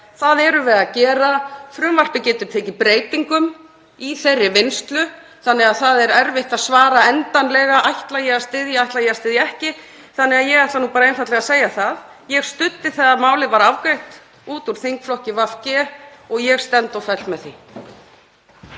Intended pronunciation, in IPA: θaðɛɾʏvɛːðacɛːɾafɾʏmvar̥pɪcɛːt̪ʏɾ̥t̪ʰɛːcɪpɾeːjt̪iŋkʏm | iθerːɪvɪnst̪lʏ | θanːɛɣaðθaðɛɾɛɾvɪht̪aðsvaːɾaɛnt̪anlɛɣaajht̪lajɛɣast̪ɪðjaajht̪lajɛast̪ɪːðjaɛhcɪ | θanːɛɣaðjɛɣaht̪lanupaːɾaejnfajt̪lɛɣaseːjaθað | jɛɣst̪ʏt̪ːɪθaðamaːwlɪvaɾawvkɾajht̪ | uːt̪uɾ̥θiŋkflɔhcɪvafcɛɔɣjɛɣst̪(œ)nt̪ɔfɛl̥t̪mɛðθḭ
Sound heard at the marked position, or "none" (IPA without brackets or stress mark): ɛ